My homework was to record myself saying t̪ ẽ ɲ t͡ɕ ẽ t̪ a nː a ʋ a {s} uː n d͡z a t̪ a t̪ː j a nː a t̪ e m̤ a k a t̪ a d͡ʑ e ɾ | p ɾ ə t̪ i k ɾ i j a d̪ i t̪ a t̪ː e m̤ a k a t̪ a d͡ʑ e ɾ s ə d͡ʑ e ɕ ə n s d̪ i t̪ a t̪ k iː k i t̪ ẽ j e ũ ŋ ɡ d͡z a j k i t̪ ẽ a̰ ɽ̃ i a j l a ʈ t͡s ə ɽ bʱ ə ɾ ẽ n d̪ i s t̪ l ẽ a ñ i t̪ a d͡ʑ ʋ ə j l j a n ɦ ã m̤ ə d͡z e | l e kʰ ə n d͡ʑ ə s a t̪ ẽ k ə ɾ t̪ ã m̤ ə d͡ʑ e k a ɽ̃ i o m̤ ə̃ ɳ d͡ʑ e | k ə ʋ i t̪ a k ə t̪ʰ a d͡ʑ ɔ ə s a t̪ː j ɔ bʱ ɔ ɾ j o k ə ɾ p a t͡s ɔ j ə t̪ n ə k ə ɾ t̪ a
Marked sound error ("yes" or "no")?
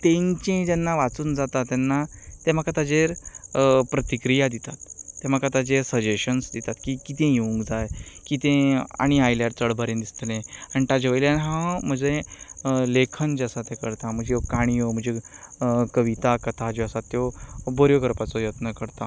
yes